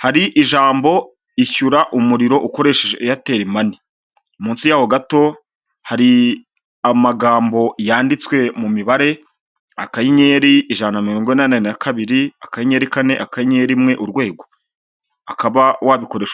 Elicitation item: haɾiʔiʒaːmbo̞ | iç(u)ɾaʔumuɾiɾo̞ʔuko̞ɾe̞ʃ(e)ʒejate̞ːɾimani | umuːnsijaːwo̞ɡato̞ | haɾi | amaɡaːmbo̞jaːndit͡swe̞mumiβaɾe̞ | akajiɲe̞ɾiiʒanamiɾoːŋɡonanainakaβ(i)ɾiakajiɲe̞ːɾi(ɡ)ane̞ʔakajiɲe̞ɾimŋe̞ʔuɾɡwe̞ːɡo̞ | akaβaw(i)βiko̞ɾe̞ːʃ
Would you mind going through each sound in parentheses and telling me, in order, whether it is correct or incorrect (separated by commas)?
correct, correct, correct, incorrect, incorrect